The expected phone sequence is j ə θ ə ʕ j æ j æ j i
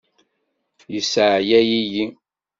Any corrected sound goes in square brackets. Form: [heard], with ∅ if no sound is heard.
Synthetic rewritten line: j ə [s] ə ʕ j æ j [i] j i